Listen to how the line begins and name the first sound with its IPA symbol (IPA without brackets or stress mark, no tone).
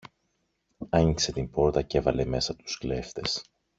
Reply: ɐ